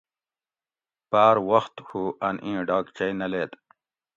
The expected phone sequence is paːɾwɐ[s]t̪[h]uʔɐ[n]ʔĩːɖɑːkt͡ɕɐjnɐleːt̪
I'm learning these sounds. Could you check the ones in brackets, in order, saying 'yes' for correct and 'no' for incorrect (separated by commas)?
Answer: no, yes, yes